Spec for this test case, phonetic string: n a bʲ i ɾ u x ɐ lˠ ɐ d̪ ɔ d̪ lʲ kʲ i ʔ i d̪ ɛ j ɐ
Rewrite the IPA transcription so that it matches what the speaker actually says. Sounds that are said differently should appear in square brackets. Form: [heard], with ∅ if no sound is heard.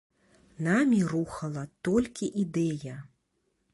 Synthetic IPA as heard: n a [mʲ] i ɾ u x ɐ lˠ ɐ [t̪] ɔ [∅] lʲ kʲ i ʔ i d̪ ɛ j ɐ